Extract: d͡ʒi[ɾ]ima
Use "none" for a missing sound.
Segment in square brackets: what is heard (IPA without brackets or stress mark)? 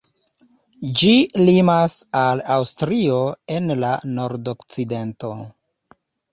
l